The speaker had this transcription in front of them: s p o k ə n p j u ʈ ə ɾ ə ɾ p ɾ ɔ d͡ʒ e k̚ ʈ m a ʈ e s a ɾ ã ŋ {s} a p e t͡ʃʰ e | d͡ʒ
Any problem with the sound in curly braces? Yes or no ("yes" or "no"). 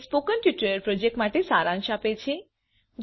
yes